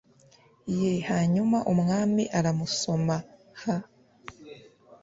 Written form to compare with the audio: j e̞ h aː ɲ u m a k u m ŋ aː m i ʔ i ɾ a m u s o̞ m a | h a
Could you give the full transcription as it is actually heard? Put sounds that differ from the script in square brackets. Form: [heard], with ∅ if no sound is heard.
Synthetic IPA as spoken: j e̞ h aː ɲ u m a [ʔ] u m ŋ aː m i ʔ [a] ɾ a m u s o̞ m a | h a